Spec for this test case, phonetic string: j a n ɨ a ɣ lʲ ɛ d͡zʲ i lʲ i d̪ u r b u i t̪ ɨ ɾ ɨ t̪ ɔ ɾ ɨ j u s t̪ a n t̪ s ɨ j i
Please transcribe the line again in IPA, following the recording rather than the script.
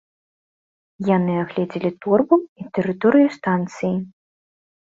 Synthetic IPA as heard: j a n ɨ a ɣ lʲ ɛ d͡zʲ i lʲ i t̪ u r b u i t̪ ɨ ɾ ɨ t̪ ɔ ɾ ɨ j u s t̪ a n t̪ s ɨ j i